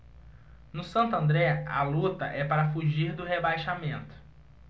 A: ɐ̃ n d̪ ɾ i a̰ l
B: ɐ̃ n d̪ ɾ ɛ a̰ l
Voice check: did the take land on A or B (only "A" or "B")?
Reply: B